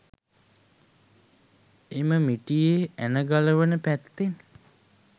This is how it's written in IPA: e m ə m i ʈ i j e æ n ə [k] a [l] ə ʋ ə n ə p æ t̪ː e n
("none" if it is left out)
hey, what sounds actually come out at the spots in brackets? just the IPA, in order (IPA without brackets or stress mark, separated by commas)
ɡ, l